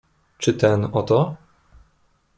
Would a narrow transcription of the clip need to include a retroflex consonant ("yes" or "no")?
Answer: yes